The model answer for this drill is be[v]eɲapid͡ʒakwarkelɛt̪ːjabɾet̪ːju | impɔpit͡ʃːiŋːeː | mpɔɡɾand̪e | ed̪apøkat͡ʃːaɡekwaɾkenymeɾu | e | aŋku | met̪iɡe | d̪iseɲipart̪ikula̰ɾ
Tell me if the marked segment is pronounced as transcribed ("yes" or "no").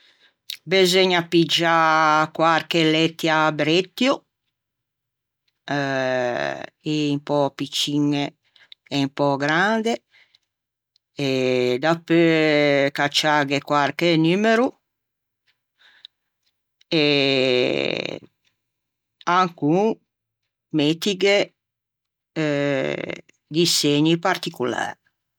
no